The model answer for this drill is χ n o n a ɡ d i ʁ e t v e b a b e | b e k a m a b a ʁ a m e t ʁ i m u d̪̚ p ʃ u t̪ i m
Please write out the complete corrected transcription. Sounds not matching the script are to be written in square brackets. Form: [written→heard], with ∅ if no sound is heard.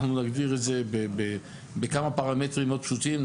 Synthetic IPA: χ n [o→u] n a ɡ d i ʁ e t [v→z] e b [a→e] b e | b e k a m a [b→p] a ʁ a m e t ʁ i m [u→o] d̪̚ p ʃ u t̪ i m